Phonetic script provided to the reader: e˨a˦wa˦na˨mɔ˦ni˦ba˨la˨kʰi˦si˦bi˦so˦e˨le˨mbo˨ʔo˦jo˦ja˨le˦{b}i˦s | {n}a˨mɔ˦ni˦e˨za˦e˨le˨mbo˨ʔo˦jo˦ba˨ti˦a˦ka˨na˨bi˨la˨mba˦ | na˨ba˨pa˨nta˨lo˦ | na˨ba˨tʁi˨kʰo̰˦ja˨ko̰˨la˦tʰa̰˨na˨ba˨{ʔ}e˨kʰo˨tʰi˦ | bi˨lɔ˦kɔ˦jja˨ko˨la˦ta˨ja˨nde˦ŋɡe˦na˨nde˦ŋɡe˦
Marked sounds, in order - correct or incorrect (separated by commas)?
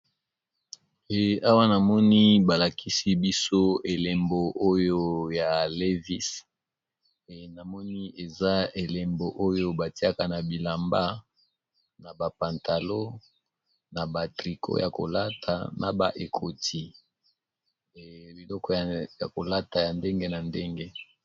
incorrect, correct, correct